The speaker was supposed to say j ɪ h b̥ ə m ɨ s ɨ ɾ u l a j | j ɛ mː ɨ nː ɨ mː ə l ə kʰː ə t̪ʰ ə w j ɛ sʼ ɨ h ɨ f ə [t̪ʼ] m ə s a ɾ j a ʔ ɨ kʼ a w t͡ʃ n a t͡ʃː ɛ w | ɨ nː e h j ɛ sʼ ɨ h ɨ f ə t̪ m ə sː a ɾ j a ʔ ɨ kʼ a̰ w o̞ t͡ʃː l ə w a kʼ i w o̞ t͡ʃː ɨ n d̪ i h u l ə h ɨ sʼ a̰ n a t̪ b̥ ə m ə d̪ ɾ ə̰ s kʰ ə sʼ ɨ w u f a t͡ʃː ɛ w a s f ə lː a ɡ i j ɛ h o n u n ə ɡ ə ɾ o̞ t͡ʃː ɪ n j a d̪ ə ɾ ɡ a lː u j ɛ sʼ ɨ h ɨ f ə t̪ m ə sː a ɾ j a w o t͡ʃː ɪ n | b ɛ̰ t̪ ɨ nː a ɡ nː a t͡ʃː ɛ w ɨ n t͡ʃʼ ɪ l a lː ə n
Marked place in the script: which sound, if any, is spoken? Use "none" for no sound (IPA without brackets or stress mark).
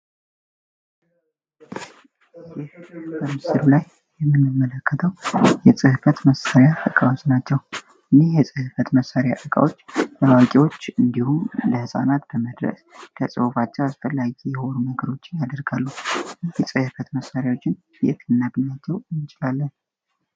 t̪